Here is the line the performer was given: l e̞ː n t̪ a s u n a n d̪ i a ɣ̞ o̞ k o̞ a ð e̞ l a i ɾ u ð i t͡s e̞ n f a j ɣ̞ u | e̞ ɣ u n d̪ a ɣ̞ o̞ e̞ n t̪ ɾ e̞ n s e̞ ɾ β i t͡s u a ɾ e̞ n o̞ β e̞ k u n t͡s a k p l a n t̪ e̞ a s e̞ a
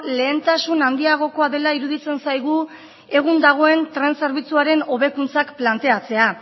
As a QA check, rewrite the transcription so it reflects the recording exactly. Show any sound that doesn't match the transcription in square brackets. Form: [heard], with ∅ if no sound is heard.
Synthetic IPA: l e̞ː n t̪ a s u n a n d̪ i a ɣ̞ o̞ k o̞ a ð e̞ l a i ɾ u ð i t͡s e̞ n [s] a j ɣ̞ u | e̞ ɣ u n d̪ a ɣ̞ o̞ e̞ n t̪ ɾ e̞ n s e̞ ɾ β i t͡s u a ɾ e̞ n o̞ β e̞ k u n t͡s a k p l a n t̪ e̞ a [t͡s] e̞ a